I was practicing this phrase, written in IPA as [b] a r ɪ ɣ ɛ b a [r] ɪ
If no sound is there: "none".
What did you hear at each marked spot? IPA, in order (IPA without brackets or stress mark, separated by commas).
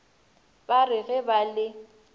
b, l